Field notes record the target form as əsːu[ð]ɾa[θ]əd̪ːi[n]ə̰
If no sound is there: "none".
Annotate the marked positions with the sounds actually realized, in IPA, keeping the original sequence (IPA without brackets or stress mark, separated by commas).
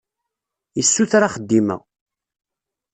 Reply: θ, χ, m